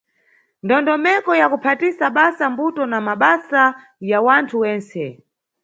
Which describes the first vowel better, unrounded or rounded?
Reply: rounded